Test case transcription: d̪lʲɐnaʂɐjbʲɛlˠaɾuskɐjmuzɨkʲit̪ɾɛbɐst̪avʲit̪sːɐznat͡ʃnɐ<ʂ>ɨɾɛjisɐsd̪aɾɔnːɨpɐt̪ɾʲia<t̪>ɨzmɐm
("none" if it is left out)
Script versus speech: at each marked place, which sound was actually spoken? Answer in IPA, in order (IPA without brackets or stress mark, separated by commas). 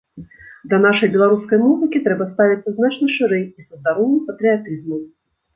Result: ʂ, t̪